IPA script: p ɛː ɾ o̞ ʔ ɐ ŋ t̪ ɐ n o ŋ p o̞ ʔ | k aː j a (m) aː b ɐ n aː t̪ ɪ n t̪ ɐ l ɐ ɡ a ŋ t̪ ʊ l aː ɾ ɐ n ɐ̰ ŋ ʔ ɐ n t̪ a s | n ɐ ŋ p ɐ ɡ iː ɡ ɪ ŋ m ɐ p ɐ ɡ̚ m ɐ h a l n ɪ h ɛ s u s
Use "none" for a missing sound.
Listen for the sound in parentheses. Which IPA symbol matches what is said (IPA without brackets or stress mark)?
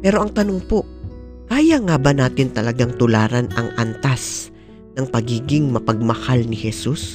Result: ŋ